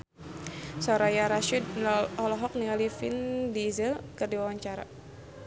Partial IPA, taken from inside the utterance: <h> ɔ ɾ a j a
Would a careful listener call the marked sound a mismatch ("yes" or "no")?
yes